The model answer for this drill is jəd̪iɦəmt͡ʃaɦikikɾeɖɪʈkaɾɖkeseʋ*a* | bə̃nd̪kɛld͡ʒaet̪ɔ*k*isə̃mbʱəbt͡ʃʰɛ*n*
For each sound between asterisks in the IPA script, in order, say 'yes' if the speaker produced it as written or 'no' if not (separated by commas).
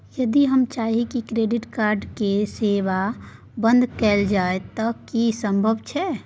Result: yes, yes, no